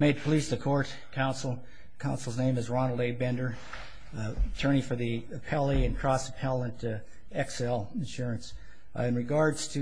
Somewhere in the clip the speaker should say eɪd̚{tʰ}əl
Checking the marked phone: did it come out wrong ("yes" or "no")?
yes